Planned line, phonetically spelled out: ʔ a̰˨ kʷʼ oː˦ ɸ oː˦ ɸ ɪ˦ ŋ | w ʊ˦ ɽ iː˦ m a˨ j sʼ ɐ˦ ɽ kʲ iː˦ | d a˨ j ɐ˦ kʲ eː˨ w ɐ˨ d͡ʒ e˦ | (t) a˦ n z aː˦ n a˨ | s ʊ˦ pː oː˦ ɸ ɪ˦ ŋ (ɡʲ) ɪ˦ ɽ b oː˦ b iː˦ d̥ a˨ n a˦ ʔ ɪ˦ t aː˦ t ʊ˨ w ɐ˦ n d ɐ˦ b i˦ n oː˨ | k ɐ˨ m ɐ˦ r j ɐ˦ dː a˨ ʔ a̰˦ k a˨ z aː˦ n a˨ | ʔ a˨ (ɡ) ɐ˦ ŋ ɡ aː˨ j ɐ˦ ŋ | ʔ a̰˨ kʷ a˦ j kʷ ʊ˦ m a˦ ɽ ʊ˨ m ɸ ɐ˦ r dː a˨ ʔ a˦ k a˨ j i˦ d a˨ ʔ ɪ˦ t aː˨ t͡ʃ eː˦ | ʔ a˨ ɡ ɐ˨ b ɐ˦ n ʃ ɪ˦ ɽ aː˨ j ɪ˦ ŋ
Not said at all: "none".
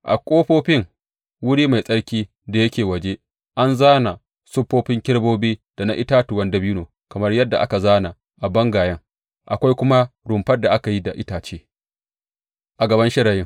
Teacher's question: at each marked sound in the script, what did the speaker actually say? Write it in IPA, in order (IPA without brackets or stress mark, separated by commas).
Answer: ʔ, kʲ, b